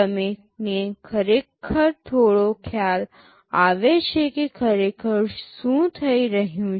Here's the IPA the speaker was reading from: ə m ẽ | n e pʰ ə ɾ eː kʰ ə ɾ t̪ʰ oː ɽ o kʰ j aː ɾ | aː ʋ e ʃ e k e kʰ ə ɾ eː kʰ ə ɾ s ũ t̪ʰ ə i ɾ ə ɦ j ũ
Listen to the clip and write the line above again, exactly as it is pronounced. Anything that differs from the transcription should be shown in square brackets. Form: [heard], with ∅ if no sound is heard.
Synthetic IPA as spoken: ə m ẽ | n e [kʰ] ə ɾ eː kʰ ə ɾ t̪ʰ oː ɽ o kʰ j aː [l] | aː ʋ e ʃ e k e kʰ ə ɾ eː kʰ ə ɾ s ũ t̪ʰ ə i ɾ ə ɦ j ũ